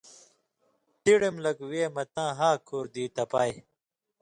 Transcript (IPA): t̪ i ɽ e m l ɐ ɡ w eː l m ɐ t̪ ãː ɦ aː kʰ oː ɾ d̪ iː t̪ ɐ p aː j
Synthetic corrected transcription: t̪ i ɽ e m l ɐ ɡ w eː m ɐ t̪ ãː ɦ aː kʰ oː ɾ d̪ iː t̪ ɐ p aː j